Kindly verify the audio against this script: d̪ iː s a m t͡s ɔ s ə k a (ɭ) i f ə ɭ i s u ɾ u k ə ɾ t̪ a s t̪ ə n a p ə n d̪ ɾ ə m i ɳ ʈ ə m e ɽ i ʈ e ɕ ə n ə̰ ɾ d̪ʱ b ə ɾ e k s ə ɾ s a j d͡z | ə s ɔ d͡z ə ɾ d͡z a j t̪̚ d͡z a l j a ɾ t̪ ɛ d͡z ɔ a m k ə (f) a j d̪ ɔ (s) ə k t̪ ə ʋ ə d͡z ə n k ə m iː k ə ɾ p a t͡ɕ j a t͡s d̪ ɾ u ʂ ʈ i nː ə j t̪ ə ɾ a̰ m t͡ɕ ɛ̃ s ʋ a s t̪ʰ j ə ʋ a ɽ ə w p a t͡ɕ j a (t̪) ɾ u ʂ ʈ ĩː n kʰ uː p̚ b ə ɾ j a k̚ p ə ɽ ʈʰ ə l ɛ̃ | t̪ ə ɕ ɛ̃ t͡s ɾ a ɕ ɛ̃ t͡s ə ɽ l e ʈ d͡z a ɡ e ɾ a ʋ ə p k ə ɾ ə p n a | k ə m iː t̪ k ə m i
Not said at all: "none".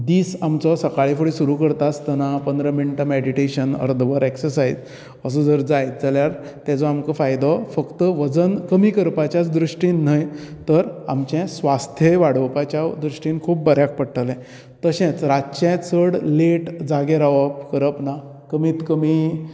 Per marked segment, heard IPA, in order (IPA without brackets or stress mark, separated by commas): ɭ, f, f, d̪